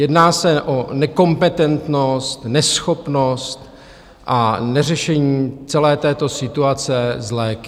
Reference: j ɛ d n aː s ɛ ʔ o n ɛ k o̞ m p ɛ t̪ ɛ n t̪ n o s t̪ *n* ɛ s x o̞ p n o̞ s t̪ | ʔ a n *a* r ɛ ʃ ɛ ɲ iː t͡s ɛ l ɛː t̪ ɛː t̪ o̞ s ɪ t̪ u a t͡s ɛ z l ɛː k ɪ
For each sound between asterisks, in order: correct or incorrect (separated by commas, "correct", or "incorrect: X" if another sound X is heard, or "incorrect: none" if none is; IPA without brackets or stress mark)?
correct, incorrect: ɛ